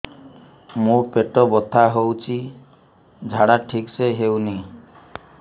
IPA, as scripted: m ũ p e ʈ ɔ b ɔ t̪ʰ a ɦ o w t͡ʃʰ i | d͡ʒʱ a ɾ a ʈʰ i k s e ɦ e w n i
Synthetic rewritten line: m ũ p e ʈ ɔ b ɔ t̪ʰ a ɦ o w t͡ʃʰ i | d͡ʒʱ a ɽ a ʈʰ i k s e ɦ e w n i